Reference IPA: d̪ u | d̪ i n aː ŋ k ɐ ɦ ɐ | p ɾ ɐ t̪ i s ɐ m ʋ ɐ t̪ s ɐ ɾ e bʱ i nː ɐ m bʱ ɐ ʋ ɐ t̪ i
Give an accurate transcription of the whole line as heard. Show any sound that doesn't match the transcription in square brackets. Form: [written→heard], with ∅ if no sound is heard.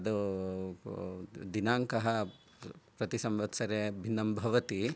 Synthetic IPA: d̪ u | d̪ i n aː ŋ k ɐ ɦ ɐ | p ɾ ɐ t̪ i s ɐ m ʋ ɐ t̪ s ɐ ɾ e bʱ i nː ɐ m bʱ ɐ ʋ ɐ t̪ i